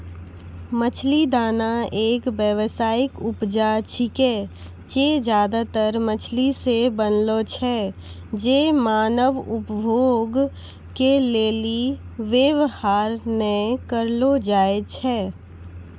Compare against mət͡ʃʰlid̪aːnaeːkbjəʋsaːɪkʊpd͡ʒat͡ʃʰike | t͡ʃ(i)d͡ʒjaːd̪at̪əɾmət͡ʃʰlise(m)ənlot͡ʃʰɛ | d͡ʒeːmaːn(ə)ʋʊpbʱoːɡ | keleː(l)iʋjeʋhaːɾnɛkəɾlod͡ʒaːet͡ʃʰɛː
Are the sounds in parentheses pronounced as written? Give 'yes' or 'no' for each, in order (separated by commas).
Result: no, no, yes, yes